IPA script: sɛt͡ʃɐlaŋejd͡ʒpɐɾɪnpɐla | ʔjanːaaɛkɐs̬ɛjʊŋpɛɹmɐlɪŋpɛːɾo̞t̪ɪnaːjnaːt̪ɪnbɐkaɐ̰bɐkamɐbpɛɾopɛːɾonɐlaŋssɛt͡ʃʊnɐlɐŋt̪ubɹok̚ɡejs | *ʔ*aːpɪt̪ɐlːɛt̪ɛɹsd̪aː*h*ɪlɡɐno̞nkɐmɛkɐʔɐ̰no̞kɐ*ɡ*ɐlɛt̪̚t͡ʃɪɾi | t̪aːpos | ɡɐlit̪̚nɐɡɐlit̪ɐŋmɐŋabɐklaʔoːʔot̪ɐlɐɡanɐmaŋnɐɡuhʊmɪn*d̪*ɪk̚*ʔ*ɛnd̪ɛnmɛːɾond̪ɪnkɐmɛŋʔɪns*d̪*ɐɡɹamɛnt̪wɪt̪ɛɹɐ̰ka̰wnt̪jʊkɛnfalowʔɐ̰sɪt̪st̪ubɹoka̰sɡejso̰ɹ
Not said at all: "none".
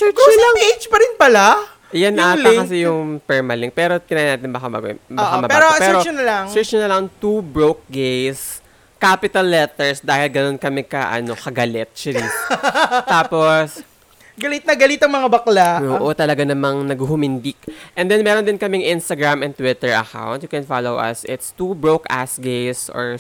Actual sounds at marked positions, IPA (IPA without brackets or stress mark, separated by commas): k, h, ɡ, d̪, ʔ, t̪